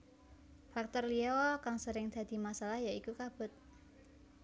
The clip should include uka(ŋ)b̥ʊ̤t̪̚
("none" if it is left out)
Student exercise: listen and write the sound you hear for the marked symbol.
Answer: none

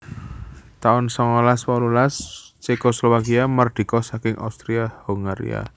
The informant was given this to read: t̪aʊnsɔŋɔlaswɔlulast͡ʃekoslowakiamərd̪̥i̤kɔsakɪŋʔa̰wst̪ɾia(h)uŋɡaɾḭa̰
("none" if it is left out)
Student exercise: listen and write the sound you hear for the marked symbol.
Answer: h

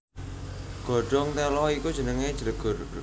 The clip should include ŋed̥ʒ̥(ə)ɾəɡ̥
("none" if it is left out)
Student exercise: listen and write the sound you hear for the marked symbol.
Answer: ə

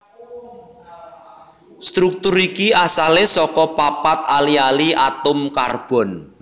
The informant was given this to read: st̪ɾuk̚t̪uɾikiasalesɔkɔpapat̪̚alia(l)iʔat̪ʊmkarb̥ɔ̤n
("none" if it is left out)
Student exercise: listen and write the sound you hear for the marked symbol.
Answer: l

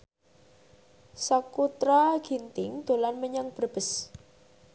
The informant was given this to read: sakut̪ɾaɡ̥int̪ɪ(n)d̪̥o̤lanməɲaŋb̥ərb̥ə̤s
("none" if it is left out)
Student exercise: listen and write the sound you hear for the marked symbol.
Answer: ŋ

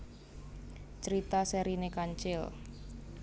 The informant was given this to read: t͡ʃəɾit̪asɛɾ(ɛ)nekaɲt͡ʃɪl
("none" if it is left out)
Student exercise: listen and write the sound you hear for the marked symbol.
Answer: i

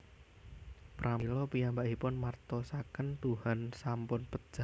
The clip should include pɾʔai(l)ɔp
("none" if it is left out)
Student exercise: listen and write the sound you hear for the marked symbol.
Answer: l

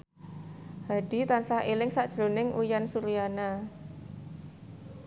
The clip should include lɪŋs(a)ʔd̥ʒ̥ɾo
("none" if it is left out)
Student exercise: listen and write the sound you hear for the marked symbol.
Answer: a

